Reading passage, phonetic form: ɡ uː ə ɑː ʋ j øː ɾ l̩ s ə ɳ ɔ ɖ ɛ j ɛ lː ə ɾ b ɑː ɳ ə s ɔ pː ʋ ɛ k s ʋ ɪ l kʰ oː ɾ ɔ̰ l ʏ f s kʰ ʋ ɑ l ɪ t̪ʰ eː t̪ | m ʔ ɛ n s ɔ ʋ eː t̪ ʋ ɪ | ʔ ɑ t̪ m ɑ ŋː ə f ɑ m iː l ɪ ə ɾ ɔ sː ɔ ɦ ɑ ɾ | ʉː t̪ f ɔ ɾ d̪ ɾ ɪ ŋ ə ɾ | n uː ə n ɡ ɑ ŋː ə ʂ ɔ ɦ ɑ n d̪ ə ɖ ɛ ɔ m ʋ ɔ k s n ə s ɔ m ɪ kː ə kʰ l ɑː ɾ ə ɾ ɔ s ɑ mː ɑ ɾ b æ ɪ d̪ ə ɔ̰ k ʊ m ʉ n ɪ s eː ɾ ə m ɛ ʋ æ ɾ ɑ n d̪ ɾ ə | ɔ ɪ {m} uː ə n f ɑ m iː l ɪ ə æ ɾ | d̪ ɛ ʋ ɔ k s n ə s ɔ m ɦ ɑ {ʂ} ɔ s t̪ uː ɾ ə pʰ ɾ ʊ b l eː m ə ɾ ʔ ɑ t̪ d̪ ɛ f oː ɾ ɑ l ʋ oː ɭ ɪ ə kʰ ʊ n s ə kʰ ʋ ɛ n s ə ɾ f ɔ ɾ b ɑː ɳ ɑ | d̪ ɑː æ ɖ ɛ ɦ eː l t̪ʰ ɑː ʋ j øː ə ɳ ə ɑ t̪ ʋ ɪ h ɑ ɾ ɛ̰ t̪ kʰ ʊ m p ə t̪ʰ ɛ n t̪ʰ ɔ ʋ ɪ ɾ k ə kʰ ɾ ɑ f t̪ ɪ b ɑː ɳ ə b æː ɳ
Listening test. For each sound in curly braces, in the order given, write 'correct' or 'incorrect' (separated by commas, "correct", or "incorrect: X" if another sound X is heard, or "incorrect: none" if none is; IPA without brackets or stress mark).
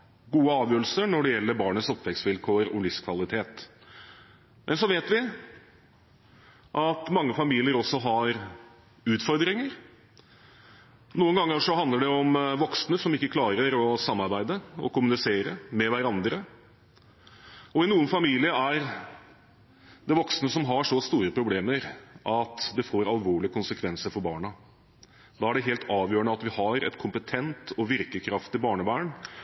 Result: incorrect: n, correct